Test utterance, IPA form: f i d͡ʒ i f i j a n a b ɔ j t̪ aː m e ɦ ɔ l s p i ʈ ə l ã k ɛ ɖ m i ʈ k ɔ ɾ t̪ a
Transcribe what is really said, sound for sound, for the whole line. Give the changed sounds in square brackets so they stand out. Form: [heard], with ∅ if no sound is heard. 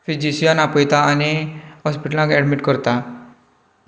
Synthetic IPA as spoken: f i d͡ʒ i [s] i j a n a [p] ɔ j t̪ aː [n] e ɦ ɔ [∅] s p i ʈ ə l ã k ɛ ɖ m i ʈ k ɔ ɾ t̪ a